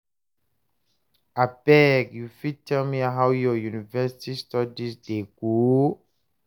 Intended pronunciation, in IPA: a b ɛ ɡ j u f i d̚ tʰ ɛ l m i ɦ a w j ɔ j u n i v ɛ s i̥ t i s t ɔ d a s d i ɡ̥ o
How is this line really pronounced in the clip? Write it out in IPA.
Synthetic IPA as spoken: a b ɛ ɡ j u f i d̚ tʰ ɛ l m i ɦ a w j ɔ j u n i v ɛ s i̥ t i s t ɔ d i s d e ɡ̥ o